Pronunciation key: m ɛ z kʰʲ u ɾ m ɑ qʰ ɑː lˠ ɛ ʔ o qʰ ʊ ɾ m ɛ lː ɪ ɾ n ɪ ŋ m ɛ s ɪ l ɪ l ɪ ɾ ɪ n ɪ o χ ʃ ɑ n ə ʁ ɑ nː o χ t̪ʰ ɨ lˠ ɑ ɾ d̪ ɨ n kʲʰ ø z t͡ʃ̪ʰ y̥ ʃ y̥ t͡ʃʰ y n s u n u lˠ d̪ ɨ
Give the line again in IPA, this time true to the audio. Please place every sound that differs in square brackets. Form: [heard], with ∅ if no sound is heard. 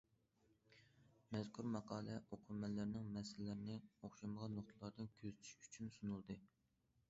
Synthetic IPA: m ɛ z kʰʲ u ɾ m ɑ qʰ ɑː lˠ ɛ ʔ o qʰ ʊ ɾ m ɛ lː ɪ ɾ n ɪ ŋ m ɛ s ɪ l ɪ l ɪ ɾ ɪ n ɪ o χ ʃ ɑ [m] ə ʁ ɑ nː o χ t̪ʰ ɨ lˠ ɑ ɾ d̪ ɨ n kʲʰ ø z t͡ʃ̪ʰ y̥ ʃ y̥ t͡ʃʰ y n s u n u lˠ d̪ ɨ